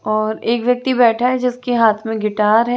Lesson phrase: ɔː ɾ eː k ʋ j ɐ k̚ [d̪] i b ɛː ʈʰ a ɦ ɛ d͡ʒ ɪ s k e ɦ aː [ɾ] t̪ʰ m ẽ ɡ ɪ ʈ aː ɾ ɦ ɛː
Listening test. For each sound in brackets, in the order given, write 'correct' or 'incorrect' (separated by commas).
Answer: incorrect, incorrect